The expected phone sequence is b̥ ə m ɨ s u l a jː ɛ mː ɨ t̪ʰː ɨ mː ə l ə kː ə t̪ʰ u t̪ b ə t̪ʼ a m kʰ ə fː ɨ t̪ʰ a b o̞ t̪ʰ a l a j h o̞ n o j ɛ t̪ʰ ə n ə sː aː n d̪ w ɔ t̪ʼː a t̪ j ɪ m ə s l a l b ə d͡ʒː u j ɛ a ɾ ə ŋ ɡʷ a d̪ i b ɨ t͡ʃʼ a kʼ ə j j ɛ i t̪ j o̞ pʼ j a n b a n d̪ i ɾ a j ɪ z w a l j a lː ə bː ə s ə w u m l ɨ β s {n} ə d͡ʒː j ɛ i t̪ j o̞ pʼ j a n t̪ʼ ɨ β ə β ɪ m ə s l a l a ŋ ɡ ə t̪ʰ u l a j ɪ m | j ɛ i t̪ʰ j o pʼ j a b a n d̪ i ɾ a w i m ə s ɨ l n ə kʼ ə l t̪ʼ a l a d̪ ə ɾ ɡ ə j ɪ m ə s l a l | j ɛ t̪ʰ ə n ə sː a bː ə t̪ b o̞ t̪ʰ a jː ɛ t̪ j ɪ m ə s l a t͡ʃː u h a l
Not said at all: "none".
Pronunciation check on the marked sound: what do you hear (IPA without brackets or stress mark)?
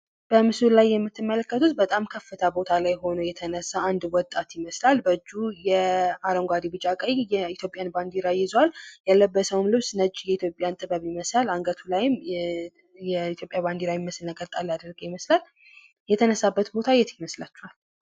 n